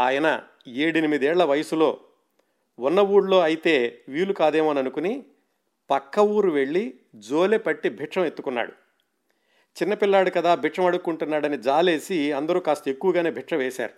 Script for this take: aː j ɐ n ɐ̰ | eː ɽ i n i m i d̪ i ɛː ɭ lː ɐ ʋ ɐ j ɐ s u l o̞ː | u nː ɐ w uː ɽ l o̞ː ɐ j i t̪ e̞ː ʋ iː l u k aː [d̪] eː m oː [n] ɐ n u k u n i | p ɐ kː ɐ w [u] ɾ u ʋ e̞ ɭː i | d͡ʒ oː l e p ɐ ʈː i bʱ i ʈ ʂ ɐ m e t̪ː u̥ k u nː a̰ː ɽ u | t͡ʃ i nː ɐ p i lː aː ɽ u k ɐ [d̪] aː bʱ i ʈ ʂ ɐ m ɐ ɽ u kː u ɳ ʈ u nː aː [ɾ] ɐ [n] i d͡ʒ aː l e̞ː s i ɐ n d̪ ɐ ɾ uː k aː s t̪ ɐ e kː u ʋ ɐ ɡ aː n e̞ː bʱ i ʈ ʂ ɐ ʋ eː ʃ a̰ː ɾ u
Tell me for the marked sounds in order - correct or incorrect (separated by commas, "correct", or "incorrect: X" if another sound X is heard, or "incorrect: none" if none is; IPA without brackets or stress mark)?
correct, correct, incorrect: uː, correct, incorrect: ɽ, correct